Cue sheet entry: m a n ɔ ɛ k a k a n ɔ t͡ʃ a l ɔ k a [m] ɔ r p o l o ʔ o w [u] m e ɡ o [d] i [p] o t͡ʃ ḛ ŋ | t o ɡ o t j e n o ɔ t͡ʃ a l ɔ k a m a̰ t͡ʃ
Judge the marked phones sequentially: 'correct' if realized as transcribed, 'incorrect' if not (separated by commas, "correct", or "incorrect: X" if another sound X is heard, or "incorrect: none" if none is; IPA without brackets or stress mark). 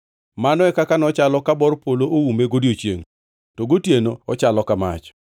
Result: incorrect: b, correct, correct, incorrect: none